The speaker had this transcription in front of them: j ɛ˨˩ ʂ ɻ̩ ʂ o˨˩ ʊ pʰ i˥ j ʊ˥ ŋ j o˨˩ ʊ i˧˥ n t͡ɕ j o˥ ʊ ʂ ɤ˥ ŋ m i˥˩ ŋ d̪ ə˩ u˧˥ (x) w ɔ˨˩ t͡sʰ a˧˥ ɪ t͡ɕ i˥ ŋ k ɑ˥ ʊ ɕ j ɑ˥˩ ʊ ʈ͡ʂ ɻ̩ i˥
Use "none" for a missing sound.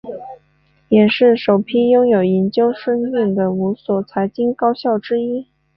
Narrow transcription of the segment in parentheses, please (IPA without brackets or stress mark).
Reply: s